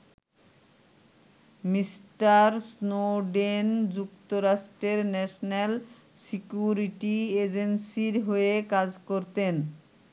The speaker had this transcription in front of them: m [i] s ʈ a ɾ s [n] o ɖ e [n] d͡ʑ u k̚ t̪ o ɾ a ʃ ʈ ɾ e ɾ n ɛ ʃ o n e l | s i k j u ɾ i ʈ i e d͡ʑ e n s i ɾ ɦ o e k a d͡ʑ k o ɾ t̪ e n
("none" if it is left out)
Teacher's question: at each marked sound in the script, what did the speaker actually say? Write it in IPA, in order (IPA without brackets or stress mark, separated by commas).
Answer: i, n, n